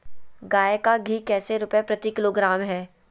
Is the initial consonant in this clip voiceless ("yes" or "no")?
no